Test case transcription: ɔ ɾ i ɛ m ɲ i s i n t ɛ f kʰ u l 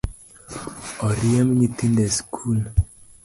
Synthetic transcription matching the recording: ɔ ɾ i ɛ m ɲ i t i n d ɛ s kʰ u l